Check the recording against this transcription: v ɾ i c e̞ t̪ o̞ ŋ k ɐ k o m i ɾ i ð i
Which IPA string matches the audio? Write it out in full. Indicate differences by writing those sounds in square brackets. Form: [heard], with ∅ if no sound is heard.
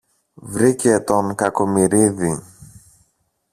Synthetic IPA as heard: v ɾ i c e̞ t̪ o̞ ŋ k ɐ k o m i ɾ i ð i